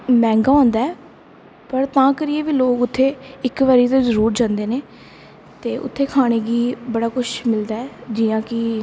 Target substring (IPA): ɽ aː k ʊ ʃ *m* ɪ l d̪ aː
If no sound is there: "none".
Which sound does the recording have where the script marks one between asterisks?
m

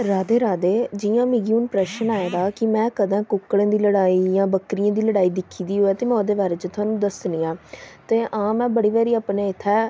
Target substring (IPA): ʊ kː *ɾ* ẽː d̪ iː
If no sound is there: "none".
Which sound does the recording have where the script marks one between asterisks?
ɽ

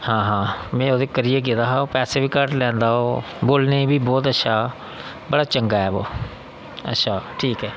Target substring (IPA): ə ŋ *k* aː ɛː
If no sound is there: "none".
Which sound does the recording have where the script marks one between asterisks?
ɡ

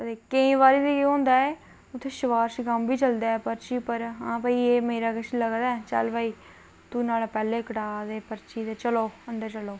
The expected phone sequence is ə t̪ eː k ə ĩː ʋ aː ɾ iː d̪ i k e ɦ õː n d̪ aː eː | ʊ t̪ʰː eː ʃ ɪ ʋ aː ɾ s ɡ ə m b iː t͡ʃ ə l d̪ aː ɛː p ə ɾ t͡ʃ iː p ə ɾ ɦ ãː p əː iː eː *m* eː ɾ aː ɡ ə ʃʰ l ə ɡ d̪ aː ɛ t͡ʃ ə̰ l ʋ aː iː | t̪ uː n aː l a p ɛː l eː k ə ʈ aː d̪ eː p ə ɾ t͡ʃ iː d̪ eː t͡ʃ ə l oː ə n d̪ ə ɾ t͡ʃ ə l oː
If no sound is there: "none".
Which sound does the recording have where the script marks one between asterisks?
m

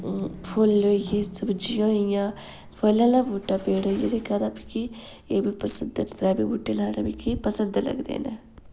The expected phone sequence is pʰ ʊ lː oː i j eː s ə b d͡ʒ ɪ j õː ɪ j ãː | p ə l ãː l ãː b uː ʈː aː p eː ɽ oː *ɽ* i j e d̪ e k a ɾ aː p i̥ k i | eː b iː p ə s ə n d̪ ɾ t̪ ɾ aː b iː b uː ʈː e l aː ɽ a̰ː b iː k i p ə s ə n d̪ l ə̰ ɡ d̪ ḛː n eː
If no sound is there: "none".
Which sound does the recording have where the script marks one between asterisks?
none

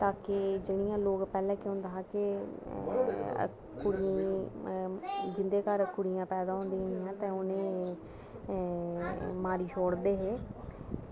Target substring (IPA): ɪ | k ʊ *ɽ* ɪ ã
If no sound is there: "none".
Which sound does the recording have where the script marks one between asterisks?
ɽ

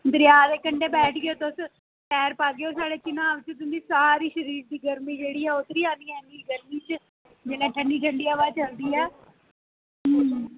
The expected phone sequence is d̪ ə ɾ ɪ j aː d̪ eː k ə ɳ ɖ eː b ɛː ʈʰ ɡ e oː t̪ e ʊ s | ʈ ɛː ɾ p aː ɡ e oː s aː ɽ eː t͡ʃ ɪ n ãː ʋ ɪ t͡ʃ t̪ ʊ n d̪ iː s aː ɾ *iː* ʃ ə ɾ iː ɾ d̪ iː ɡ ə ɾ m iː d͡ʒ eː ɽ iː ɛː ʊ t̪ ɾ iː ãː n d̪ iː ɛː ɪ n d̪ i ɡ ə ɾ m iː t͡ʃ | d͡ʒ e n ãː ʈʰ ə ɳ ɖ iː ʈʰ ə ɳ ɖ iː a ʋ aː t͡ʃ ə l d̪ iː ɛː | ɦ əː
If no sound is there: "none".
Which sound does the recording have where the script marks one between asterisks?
iː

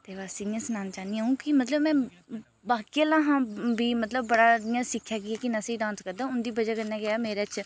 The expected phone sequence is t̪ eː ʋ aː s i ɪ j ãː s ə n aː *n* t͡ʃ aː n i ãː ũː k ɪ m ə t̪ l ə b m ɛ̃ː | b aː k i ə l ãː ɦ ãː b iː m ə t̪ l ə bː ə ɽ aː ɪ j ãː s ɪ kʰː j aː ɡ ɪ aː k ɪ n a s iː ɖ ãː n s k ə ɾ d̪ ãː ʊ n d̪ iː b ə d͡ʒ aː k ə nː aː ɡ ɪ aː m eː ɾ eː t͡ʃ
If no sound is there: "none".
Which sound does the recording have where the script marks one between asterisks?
n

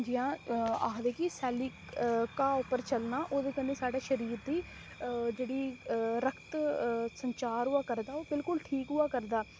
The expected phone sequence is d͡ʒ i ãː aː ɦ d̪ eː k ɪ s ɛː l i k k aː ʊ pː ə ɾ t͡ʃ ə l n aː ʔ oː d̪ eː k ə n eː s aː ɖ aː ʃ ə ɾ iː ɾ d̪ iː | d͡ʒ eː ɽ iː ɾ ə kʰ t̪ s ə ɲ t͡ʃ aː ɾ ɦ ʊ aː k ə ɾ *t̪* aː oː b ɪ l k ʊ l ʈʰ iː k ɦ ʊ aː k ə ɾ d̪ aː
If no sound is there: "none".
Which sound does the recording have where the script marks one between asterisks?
d̪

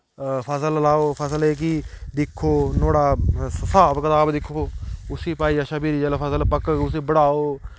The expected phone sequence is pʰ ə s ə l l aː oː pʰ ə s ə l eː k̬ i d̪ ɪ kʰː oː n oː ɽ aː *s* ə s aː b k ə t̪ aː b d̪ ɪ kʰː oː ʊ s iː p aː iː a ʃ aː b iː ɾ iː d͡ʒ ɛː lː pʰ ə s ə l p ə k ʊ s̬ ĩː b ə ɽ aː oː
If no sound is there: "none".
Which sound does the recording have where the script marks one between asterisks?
s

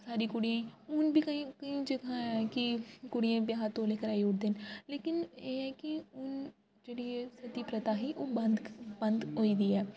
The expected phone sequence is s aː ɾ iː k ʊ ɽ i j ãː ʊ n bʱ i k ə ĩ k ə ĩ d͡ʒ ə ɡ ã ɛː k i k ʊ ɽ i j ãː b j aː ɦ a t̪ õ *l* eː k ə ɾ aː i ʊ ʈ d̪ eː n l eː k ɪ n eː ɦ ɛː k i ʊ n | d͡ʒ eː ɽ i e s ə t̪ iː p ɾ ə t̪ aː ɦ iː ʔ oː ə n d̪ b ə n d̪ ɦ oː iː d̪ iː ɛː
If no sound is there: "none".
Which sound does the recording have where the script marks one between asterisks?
l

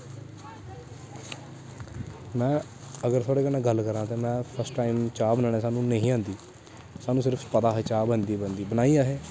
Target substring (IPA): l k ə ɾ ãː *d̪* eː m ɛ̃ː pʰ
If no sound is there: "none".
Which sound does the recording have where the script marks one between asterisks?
t̪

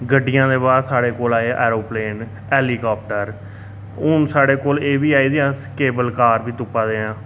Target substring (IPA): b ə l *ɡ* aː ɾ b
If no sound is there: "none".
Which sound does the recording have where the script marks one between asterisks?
k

